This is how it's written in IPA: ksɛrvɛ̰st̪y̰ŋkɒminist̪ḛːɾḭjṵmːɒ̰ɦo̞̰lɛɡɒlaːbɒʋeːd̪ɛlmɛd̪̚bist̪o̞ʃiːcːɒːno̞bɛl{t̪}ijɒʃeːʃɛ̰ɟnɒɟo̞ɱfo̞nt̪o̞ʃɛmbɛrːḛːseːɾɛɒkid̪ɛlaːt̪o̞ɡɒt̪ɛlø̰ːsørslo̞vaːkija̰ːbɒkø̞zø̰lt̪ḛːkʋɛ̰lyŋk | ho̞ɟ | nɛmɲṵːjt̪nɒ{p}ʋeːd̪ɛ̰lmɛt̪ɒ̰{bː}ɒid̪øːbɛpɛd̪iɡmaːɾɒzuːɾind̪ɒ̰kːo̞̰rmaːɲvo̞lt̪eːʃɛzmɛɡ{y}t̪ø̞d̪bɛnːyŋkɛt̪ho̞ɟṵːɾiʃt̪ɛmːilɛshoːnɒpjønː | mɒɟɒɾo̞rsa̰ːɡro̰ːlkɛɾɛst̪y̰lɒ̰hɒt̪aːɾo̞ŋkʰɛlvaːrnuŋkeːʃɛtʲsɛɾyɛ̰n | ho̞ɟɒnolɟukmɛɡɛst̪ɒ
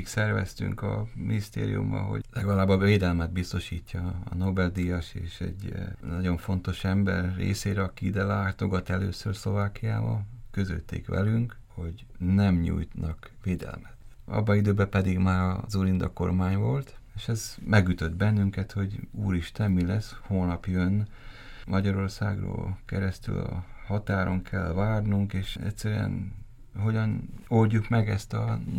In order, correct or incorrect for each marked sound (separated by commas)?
incorrect, incorrect, correct, correct